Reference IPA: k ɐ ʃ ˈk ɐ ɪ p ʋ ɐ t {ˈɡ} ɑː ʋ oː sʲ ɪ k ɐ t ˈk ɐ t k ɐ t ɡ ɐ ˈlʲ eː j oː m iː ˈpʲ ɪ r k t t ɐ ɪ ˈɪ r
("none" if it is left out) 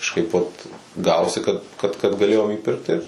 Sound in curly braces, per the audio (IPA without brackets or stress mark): ɡ